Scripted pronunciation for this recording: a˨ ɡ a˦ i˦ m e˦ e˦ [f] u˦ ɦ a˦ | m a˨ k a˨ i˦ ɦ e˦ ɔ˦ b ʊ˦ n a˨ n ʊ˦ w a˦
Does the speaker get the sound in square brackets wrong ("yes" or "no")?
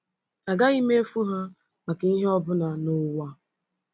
no